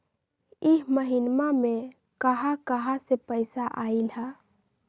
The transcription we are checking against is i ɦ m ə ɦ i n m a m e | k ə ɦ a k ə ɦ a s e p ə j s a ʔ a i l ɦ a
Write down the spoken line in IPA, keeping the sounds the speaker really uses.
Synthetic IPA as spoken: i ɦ m ə ɦ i n m a m e | k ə ɦ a k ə ɦ a s e p ə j s a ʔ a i l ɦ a